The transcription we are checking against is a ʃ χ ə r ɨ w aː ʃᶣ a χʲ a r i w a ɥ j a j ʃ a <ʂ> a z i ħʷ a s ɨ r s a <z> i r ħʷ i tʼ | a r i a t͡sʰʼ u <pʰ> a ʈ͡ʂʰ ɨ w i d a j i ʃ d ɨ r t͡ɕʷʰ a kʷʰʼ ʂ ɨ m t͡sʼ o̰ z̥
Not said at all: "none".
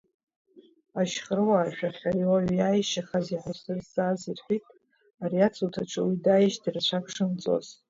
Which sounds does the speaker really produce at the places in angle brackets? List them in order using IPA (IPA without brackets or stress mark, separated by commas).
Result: χ, z, tʰ